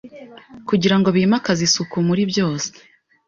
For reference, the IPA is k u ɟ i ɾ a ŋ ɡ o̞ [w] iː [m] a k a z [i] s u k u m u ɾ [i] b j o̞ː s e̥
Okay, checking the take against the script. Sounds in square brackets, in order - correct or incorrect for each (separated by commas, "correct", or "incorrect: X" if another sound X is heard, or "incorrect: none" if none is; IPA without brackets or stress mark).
incorrect: β, correct, correct, correct